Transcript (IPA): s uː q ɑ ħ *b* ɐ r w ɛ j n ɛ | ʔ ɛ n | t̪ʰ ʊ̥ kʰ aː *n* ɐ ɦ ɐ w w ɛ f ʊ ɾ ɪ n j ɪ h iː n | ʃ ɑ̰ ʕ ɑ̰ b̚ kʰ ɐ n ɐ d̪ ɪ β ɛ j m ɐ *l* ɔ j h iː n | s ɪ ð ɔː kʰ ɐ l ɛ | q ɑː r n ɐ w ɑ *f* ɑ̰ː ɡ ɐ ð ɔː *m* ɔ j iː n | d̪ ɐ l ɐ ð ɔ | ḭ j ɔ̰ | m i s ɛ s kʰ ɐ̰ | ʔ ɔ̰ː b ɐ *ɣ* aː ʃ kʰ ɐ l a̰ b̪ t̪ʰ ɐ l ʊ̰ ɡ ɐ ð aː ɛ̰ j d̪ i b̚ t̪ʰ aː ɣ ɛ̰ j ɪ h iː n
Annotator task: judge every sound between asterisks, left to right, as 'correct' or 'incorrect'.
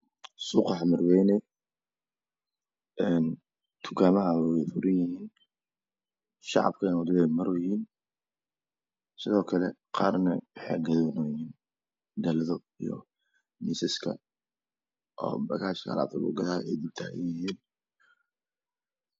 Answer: incorrect: m, incorrect: m, incorrect: ɾ, incorrect: ħ, incorrect: n, correct

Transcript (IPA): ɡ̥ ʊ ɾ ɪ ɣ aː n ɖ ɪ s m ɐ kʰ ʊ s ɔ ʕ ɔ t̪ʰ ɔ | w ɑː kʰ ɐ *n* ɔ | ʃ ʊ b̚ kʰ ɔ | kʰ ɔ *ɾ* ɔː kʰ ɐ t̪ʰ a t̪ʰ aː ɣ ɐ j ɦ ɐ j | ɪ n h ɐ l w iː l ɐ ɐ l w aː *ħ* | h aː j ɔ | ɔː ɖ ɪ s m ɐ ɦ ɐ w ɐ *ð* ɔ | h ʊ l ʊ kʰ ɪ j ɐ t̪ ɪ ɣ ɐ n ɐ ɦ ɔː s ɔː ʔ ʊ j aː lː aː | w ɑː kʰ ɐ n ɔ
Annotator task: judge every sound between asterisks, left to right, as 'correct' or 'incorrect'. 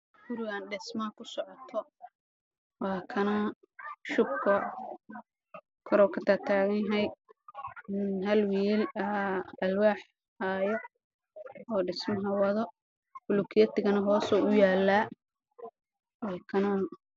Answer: correct, correct, correct, correct

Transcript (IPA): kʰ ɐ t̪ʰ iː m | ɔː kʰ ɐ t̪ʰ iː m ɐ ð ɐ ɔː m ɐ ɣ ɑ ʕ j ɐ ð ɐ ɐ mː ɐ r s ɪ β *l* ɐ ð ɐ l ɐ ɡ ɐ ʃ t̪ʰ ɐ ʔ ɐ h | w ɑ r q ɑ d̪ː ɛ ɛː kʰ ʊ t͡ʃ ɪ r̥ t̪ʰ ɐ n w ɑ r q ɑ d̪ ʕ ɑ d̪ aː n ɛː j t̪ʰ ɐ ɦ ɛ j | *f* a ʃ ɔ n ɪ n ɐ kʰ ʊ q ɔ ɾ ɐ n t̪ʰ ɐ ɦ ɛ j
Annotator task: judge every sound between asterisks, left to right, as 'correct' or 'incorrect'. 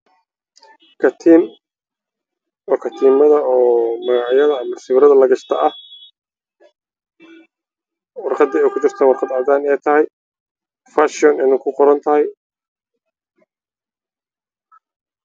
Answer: incorrect: ɾ, correct

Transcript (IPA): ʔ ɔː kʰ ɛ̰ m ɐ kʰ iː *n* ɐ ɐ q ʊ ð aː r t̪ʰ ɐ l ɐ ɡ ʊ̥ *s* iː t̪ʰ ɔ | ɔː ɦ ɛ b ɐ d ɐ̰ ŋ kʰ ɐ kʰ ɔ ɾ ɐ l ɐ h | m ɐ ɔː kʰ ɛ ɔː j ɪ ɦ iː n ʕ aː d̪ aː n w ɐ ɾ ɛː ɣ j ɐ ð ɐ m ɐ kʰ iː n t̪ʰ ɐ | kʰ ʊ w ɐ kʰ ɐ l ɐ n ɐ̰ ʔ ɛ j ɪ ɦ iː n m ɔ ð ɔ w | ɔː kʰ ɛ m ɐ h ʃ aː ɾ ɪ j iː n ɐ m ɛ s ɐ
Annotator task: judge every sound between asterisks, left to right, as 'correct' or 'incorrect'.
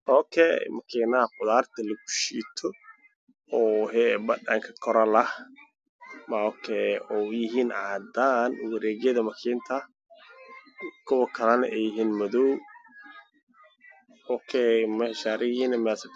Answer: correct, incorrect: ʃ

